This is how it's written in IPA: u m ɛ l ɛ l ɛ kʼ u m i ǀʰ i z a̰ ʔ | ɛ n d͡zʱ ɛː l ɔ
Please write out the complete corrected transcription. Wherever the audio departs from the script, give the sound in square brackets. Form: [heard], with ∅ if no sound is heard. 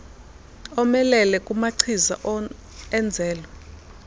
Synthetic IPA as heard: [ɔ] m ɛ l ɛ l ɛ kʼ u m [a] ǀʰ i z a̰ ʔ | ɛ n d͡zʱ ɛː l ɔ

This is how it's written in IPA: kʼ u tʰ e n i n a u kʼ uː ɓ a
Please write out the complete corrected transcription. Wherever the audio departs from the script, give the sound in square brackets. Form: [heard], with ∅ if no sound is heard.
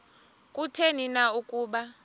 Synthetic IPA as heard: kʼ u tʰ e n i n a u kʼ uː ɓ a

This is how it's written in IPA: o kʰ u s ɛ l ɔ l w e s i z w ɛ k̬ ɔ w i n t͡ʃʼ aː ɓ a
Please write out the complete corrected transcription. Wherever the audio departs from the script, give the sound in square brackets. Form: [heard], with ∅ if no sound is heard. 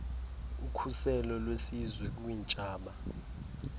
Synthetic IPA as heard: [u] kʰ u s ɛ l ɔ l w e s i z w ɛ k̬ [u] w i n t͡ʃʼ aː ɓ a

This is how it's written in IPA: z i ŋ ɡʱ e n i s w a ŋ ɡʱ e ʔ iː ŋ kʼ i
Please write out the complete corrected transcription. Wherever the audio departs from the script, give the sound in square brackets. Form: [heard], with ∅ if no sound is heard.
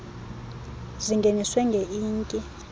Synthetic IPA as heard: z i ŋ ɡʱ e n i s w [ɛ] ŋ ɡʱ e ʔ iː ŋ kʼ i

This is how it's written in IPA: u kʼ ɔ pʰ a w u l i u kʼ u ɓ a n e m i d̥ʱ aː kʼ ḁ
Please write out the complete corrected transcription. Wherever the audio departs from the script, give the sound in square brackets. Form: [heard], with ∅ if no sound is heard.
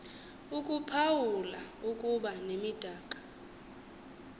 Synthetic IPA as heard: u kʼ [u] pʰ a w u l [a] u kʼ u ɓ a n e m i d̥ʱ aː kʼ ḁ

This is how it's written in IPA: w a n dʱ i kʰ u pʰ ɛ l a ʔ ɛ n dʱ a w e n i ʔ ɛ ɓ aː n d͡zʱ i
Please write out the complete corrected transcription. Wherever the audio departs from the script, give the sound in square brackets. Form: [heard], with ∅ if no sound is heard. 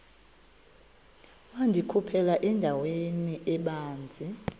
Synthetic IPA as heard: w a n dʱ i kʰ u pʰ ɛ l a ʔ ɛ n dʱ a w e n i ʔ ɛ ɓ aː n d͡zʱ i

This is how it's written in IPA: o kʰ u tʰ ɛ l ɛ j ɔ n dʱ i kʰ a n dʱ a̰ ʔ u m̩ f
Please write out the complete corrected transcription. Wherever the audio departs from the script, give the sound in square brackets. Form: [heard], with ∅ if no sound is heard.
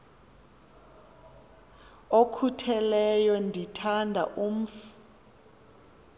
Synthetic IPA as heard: o kʰ u tʰ ɛ l ɛ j ɔ n dʱ i [tʰ] a n dʱ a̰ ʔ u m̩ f

